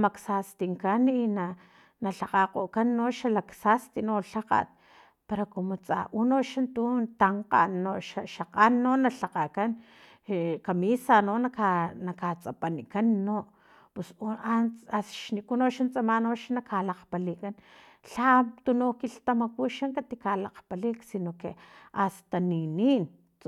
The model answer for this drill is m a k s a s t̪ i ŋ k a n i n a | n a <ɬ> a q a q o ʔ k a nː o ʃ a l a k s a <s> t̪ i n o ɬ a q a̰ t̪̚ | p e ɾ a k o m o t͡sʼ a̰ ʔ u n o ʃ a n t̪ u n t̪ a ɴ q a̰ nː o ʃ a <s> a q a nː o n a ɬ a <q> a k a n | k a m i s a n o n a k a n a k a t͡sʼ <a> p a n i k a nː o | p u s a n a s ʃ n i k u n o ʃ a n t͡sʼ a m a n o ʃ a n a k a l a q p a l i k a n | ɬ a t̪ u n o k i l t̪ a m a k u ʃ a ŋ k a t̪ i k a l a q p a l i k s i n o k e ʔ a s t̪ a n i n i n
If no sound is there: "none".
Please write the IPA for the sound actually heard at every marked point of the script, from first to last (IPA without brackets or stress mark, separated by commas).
ɬ, s, ʃ, q, a